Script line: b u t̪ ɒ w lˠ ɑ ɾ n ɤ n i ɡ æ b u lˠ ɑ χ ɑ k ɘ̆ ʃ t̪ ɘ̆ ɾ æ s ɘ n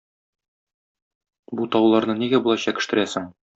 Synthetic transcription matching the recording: b u t̪ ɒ w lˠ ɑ ɾ n ɤ n i ɡ æ b u lˠ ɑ ɕ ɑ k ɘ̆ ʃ t̪ ɘ̆ ɾ æ s ɘ ŋ